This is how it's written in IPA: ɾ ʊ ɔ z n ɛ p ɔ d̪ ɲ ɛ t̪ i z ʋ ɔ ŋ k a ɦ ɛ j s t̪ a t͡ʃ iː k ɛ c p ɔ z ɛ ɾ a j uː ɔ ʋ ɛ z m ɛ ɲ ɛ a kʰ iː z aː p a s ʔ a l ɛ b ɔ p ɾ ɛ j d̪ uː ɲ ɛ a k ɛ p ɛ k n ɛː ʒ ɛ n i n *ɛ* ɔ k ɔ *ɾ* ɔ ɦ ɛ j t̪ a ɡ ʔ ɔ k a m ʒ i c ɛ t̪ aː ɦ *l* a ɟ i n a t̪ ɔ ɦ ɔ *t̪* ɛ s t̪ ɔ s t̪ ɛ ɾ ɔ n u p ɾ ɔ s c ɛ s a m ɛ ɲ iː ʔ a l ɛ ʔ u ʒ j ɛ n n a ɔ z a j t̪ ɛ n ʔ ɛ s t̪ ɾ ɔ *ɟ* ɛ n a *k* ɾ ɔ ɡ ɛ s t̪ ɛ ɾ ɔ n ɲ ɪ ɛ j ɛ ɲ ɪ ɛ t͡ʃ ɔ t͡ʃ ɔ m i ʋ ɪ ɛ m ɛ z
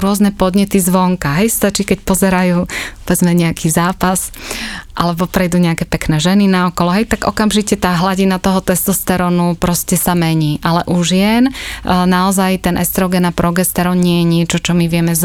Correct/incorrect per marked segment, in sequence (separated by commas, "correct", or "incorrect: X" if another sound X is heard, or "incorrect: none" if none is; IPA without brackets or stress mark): incorrect: a, incorrect: l, correct, correct, incorrect: ɡ, incorrect: p